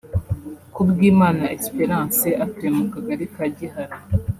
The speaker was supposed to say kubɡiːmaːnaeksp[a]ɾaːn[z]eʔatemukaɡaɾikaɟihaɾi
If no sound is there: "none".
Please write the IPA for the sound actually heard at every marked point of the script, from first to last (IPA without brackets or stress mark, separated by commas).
e, s